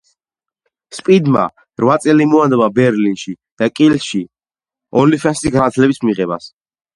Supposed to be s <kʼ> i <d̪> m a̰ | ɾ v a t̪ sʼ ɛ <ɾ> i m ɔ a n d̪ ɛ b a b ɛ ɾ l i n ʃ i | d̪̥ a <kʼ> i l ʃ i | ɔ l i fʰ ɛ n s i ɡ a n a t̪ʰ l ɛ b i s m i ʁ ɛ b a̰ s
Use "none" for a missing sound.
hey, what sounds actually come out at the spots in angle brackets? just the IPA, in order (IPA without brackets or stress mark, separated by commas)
pʼ, d̪, l, kʼ